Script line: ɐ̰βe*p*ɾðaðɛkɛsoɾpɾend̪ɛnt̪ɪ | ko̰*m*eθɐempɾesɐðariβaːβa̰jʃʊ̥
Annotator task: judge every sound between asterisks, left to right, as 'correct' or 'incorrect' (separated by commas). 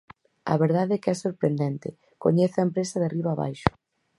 incorrect, incorrect